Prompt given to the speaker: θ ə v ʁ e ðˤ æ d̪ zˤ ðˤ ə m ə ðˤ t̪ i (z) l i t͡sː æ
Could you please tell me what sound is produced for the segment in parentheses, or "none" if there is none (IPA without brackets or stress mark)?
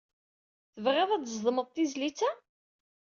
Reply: z